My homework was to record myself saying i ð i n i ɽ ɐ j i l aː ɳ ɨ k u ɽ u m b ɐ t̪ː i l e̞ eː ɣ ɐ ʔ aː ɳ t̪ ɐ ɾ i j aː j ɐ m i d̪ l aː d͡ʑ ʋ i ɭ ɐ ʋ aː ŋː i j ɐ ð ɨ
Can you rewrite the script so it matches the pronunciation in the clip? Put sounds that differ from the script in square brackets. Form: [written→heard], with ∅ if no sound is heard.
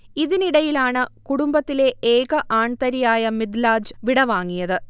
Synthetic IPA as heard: i ð i n i ɽ ɐ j i l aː ɳ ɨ k u ɽ u m b ɐ t̪ː i l e̞ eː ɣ ɐ ʔ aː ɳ t̪ ɐ ɾ i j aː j ɐ m i d̪ l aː d͡ʑ ʋ i [ɭ→ɽ] ɐ ʋ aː ŋː i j ɐ ð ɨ